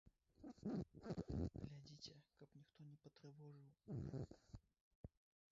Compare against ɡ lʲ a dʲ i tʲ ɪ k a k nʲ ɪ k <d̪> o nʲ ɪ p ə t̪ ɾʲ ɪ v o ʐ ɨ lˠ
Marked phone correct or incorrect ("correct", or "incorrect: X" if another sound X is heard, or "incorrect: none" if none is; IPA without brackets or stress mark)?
incorrect: t̪